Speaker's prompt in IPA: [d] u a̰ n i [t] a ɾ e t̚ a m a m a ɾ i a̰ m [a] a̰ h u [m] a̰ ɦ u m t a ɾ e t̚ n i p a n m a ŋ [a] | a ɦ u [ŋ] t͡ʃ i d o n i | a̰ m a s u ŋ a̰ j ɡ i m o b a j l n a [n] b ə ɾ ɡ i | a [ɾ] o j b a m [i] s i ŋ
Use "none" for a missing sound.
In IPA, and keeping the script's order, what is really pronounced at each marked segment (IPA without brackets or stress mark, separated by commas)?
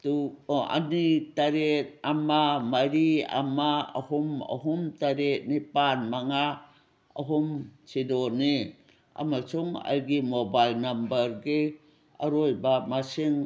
t, t, a, m, a, m, m, ɾ, a